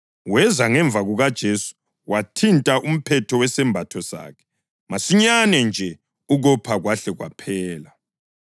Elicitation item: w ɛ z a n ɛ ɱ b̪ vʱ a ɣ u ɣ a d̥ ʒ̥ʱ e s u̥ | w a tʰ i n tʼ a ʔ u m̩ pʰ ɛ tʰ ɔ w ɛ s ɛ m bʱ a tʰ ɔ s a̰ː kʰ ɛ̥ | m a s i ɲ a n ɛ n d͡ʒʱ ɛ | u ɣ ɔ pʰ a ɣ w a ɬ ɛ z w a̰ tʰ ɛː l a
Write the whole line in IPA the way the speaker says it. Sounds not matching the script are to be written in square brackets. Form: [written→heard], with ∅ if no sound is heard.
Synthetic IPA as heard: w ɛ z a [n→ŋ] ɛ ɱ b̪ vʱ a ɣ u ɣ a d̥ ʒ̥ʱ e s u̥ | w a tʰ i n tʼ a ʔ u m̩ pʰ ɛ tʰ ɔ w ɛ s ɛ m bʱ a tʰ ɔ s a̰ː kʰ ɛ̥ | m a s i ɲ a n ɛ n d͡ʒʱ ɛ | u ɣ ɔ pʰ a ɣ w a ɬ ɛ [z→ɣ] w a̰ [tʰ→pʰ] ɛː l a